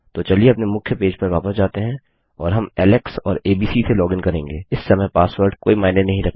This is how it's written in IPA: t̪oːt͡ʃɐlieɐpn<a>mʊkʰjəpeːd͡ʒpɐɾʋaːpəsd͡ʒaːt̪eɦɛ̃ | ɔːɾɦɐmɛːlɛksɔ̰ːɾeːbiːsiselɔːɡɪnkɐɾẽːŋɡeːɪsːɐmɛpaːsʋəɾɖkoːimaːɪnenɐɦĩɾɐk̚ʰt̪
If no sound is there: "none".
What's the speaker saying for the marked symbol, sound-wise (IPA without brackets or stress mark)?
e